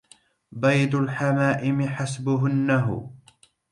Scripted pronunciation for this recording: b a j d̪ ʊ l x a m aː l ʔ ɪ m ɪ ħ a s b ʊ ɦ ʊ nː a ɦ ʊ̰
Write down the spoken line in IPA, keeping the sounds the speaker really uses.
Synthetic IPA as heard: b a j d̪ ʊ l ħ a m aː ʔ ɪ m ɪ ħ a s b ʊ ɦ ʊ nː a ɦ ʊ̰